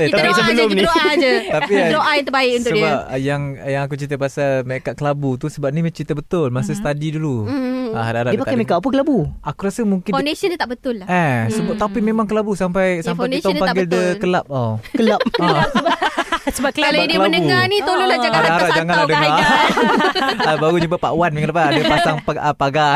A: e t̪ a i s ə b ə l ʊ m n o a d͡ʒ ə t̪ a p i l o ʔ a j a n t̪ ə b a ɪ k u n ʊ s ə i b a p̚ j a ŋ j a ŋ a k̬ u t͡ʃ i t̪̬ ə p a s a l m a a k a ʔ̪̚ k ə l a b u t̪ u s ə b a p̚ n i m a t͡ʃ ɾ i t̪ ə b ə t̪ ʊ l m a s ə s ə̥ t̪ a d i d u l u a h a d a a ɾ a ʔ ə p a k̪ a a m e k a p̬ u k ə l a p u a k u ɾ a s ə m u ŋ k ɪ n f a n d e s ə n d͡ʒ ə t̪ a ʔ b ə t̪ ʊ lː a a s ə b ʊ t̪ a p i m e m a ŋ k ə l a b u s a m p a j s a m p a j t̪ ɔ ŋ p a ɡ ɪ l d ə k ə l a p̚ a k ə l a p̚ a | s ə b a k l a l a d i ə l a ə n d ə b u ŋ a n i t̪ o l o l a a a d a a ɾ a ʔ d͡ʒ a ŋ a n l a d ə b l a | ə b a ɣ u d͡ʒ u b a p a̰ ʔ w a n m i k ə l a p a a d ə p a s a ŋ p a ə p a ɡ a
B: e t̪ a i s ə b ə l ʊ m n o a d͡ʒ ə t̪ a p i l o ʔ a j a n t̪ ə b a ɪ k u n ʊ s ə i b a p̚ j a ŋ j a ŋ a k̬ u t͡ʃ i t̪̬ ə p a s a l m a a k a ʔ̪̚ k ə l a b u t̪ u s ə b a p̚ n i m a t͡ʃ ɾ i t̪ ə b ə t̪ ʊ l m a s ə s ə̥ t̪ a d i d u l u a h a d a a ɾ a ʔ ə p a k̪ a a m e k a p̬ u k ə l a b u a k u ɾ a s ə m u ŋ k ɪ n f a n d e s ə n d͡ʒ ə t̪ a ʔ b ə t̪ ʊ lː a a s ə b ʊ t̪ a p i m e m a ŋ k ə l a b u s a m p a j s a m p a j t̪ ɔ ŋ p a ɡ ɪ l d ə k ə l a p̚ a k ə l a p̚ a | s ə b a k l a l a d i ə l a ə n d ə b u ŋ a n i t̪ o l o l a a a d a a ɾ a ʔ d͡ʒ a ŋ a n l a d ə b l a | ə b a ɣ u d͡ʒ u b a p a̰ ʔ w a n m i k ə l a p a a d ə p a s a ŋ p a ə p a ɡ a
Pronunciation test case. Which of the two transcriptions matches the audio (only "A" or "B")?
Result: B